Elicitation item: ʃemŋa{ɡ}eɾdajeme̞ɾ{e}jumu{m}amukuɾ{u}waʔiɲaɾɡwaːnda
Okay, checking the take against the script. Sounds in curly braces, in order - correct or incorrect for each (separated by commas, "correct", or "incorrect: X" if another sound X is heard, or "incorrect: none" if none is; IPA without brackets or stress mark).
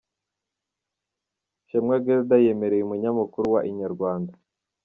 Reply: correct, correct, incorrect: ɲ, correct